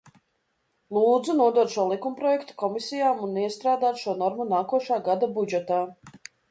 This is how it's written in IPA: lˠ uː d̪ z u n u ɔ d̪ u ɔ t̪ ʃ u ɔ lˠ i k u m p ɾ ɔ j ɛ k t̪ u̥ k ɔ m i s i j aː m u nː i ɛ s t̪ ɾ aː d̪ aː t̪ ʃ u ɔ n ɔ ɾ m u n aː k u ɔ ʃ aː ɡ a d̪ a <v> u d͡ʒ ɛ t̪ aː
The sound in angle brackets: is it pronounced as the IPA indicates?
no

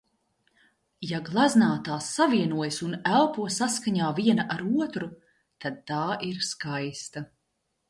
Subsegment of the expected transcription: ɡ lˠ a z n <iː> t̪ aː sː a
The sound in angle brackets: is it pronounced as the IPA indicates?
no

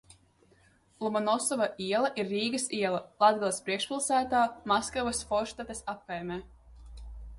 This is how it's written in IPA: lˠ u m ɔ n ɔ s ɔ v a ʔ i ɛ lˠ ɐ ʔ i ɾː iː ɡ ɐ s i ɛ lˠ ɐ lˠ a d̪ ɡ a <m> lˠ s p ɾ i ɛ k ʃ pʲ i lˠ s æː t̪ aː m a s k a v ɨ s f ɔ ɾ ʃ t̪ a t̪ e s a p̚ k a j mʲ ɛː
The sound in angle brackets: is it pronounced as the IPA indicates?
no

